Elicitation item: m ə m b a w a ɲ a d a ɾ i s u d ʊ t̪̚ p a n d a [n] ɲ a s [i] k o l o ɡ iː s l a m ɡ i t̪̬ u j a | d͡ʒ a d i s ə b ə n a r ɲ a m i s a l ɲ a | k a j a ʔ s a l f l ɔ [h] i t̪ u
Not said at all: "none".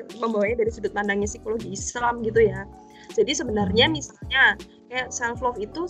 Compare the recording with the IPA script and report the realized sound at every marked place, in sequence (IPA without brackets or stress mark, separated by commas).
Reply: ŋ, i, f